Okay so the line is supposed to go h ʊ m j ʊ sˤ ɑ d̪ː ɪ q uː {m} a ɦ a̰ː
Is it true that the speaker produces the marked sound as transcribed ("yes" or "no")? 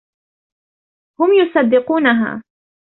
no